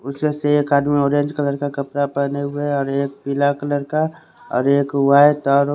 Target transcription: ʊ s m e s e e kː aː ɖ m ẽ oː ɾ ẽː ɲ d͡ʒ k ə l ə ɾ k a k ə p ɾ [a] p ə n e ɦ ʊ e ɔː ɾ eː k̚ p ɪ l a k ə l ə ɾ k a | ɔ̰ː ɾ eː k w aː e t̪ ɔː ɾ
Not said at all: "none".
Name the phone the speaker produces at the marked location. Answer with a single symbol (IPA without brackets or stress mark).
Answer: a